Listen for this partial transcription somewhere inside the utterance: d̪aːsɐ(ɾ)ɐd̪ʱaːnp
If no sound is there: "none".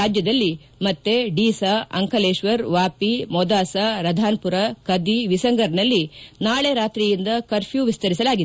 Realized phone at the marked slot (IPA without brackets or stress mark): ɾ